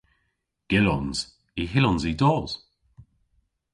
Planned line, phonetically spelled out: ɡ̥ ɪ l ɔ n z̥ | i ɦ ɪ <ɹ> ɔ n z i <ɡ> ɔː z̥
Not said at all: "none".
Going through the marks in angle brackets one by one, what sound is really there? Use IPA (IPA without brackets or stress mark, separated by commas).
l, d